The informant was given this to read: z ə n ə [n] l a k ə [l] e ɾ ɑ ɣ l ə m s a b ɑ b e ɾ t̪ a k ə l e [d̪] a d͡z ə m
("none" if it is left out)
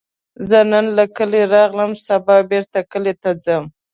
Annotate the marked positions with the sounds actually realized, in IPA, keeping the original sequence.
n, l, t̪

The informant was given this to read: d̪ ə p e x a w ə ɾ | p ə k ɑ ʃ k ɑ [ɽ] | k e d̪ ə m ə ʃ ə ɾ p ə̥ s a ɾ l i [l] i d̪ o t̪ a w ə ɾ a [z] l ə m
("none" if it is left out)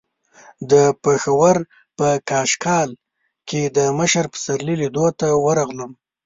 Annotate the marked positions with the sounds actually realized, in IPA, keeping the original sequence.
l, l, ɣ

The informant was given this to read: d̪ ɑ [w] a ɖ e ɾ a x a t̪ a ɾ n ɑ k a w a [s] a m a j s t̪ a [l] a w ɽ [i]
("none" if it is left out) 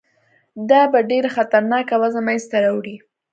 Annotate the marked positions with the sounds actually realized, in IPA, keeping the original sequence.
b, z, ɾ, i

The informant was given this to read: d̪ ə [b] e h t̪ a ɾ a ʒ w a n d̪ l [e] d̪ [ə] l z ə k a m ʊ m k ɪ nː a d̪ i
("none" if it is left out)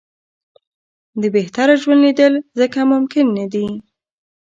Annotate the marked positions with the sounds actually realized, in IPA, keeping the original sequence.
b, i, ə

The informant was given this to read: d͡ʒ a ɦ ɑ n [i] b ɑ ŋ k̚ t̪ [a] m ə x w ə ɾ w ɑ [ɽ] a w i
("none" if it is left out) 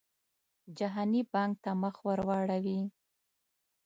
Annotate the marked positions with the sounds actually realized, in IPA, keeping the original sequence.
i, a, ɽ

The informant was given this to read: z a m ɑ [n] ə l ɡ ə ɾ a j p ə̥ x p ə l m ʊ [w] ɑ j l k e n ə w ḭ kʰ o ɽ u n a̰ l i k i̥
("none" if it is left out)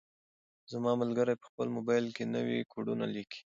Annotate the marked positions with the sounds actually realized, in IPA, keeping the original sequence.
m, b

